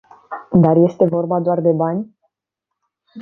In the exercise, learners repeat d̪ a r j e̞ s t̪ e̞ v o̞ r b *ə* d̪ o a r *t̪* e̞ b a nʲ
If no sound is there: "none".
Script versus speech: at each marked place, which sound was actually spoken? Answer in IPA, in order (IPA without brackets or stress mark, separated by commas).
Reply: a, d̪